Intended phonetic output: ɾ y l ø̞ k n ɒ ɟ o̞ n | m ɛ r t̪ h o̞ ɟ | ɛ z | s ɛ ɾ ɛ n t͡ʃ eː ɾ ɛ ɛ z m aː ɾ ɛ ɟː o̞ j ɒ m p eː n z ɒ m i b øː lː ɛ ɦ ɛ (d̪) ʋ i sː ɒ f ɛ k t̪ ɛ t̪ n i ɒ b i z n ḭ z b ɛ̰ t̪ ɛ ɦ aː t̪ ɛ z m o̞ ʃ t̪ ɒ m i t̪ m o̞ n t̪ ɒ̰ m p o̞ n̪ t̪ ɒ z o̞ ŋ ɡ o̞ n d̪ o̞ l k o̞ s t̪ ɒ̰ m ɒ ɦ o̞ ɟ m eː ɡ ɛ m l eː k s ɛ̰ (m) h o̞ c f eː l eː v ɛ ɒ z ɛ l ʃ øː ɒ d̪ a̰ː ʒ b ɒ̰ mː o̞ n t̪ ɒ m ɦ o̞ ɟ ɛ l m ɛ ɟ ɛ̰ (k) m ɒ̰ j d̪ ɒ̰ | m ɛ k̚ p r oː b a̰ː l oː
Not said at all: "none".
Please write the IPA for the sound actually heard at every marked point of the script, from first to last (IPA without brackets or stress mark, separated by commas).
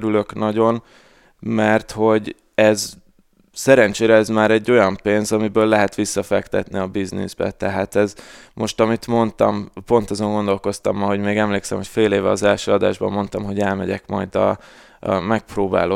t̪, m, k